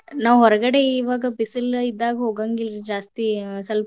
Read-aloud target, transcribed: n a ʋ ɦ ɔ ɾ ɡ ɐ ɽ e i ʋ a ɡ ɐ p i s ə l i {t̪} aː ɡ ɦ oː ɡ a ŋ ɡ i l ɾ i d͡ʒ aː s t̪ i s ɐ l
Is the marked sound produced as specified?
no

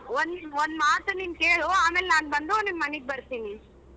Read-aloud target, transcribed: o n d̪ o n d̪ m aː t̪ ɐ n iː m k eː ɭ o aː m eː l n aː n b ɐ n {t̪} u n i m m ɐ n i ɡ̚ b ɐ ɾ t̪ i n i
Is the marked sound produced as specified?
no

